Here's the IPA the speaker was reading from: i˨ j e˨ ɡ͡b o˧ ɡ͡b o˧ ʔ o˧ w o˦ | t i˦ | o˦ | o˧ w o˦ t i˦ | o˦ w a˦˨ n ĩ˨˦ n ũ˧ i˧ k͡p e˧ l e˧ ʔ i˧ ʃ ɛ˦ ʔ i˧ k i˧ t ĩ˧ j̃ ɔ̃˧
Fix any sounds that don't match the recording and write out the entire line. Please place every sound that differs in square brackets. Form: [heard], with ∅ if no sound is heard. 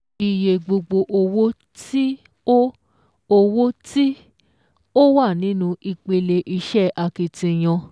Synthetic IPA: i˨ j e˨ ɡ͡b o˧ ɡ͡b o˧ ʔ o˧ w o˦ | t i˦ | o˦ | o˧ w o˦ t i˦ | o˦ w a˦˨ n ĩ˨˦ n ũ˧ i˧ k͡p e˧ l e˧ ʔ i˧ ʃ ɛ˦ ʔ [a˧] k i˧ t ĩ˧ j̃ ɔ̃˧